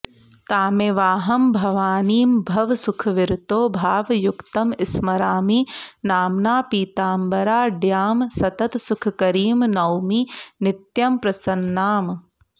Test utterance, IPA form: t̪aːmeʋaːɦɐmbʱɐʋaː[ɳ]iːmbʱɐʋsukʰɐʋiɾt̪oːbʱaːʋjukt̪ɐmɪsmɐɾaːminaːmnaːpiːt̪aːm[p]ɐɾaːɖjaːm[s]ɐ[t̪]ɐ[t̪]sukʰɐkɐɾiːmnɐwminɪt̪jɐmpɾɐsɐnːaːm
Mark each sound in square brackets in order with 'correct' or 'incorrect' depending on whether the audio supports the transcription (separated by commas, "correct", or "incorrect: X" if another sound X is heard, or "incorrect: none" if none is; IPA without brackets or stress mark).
incorrect: n, incorrect: b, correct, correct, correct